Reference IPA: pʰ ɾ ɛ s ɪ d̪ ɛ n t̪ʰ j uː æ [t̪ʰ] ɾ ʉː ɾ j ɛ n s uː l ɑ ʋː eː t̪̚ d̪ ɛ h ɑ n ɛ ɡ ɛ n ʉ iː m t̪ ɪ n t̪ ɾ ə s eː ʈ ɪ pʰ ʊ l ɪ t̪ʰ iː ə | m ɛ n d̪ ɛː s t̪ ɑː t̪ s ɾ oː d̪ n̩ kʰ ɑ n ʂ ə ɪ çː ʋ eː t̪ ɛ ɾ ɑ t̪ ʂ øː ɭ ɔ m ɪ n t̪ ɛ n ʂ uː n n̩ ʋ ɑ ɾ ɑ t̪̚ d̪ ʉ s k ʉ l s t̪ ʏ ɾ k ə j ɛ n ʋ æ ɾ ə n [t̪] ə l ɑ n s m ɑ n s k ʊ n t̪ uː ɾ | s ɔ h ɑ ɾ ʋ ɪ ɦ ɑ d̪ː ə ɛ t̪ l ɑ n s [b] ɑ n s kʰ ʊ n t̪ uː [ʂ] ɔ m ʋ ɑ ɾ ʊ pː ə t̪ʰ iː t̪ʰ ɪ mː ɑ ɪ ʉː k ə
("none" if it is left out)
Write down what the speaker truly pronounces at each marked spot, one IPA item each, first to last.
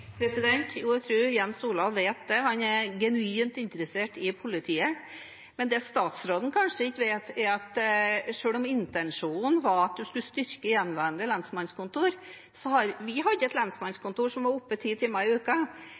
t̪ʰ, d̪, m, ʂ

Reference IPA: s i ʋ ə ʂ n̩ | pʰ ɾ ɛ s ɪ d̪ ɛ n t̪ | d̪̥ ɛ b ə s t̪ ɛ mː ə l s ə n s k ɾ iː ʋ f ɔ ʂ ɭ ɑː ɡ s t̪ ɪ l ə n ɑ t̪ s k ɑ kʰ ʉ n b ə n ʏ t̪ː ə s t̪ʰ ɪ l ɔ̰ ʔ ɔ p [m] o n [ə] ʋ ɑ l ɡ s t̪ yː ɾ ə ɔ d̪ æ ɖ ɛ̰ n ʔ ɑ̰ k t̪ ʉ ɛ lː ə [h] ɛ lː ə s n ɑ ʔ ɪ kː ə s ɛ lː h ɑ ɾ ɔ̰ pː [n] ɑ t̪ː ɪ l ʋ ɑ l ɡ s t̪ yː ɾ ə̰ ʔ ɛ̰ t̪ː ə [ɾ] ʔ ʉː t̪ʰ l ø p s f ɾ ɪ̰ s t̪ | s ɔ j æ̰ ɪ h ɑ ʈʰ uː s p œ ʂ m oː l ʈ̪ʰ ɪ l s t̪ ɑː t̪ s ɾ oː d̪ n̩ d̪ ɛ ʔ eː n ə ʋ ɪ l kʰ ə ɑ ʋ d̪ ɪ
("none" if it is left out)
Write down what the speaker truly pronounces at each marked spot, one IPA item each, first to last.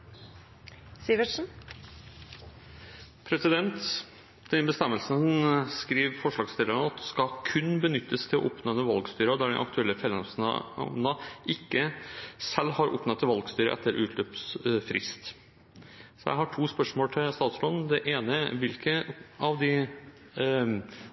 n, ə, f, n, ɾ

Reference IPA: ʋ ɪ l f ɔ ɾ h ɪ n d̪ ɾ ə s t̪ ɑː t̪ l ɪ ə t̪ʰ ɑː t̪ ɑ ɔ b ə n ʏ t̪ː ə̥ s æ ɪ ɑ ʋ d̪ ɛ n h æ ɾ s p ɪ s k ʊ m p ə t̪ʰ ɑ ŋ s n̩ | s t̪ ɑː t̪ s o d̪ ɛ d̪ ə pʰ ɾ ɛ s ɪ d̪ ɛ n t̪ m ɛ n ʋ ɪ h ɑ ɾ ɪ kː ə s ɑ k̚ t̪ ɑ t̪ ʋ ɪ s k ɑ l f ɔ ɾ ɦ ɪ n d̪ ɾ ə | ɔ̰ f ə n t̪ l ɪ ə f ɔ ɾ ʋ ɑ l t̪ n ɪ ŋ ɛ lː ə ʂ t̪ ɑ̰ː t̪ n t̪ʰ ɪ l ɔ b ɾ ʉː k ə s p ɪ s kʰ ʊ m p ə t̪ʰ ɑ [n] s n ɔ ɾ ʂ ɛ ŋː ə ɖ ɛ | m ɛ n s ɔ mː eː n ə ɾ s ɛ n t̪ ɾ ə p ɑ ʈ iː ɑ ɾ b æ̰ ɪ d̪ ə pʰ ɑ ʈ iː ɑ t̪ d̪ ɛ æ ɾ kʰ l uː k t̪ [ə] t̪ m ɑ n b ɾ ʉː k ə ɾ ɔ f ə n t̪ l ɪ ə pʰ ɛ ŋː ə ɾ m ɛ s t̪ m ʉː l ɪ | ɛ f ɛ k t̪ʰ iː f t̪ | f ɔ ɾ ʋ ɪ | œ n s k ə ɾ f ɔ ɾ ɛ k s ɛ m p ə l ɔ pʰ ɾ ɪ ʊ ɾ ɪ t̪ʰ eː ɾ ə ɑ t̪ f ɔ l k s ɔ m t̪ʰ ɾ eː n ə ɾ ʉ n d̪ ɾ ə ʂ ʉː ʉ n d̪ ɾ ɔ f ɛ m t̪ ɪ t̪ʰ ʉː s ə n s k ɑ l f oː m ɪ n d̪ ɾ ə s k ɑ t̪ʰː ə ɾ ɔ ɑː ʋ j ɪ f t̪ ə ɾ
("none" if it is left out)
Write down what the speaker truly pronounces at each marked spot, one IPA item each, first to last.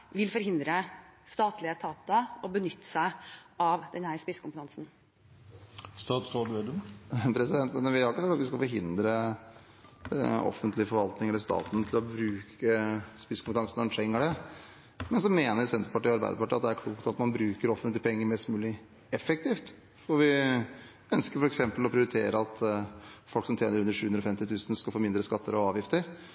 ŋ, ɑ

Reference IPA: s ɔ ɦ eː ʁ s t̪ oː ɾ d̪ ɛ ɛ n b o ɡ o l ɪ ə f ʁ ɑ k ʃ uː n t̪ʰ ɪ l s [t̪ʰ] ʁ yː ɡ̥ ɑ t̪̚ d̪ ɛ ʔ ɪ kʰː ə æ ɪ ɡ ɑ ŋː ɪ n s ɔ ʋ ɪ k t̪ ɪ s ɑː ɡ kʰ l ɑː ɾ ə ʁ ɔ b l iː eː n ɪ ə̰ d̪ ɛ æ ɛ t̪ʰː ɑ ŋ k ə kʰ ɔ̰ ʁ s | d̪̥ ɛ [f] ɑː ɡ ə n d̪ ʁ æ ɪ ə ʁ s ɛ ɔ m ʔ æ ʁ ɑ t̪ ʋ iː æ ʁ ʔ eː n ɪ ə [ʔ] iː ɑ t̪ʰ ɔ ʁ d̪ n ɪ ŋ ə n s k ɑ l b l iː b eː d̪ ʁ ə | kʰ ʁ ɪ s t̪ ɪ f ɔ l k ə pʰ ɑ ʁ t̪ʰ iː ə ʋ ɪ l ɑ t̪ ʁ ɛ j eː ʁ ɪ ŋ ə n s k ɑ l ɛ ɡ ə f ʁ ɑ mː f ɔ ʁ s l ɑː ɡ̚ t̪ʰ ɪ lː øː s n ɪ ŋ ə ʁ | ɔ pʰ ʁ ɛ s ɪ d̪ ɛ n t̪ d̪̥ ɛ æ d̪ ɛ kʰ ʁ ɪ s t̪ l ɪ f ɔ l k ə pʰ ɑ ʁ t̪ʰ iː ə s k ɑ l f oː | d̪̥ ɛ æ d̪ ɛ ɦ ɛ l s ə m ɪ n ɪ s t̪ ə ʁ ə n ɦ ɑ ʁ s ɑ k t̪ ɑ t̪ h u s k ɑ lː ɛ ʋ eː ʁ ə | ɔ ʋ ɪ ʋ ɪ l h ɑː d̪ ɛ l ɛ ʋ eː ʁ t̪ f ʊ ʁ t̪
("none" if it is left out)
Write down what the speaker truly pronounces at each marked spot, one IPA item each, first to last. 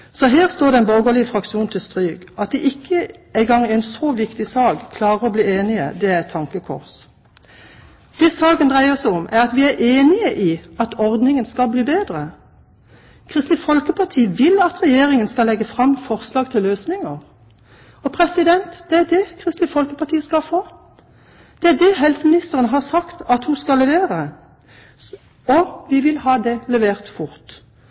t̪, s, ʔ

